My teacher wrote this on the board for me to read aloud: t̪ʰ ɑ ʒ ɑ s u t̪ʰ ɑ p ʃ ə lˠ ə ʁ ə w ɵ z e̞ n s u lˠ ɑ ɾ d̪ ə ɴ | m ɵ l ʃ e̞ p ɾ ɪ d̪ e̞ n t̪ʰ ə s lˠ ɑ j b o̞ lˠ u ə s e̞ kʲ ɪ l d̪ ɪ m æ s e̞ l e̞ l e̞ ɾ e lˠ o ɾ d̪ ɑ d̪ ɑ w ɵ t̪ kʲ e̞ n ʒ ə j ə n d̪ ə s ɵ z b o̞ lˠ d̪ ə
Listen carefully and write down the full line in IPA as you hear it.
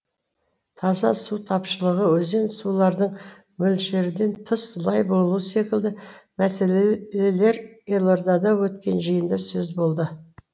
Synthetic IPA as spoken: t̪ʰ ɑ z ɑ s u t̪ʰ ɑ p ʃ ə lˠ ə ʁ ə w ɵ z e̞ n s u lˠ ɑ ɾ d̪ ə ɴ | m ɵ l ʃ e̞ ɾ ɪ d̪ e̞ n t̪ʰ ə s lˠ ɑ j b o̞ lˠ u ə s e̞ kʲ ɪ l d̪ ɪ m æ s e̞ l e̞ l e̞ ɾ e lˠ o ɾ d̪ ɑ d̪ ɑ w ɵ t̪ kʲ e̞ n ʒ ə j ə n d̪ ɑ s ɵ z b o̞ lˠ d̪ ə